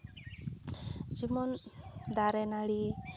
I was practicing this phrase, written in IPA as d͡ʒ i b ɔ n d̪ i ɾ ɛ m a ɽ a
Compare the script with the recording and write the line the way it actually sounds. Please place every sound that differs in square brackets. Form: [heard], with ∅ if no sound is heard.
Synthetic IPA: d͡ʒ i [m] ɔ n d̪ [a] ɾ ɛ [n] a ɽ [i]